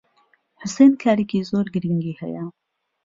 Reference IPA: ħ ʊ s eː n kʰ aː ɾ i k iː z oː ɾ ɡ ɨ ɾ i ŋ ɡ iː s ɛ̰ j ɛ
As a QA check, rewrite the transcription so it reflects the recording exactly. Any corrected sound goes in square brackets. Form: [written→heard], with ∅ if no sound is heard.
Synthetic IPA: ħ ʊ s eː n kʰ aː ɾ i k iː z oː ɾ ɡ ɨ ɾ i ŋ ɡ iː [s→h] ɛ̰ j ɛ